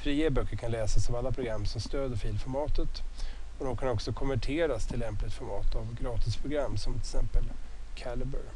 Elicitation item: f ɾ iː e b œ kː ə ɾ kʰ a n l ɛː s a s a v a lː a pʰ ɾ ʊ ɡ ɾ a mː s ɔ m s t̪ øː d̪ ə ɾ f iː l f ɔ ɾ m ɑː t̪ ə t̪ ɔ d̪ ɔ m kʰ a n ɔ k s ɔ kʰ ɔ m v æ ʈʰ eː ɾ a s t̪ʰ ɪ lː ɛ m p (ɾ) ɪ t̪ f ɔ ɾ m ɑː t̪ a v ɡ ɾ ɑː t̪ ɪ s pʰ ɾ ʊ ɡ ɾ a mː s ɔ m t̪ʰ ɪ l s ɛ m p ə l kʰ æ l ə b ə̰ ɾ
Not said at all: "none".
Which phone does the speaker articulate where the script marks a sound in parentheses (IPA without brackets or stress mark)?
l